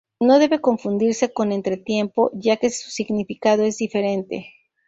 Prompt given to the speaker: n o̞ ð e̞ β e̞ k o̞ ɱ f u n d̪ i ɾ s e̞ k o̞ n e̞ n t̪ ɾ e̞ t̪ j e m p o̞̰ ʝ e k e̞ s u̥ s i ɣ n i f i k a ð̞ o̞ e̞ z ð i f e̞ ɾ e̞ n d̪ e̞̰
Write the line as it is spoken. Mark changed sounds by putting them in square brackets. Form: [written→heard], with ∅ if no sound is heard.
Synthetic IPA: n o̞ ð e̞ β e̞ k o̞ ɱ f u n d̪ i ɾ s e̞ k o̞ n e̞ n t̪ ɾ e̞ t̪ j e m p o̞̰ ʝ [e→a] k e̞ s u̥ s i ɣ n i f i k a ð̞ o̞ e̞ z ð i f e̞ ɾ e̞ n [d̪→t̪] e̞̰